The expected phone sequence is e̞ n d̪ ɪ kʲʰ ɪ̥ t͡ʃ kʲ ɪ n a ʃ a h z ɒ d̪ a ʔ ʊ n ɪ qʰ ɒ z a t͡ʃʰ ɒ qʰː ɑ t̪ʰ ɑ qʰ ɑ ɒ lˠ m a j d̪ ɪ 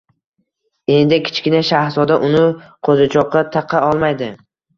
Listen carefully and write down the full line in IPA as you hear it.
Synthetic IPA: e̞ n d̪ ɪ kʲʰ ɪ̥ t͡ʃ kʲ ɪ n a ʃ a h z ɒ d̪ a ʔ ʊ n ɪ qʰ o z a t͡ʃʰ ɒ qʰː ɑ t̪ʰ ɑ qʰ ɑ ɒ lˠ m a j d̪ ɪ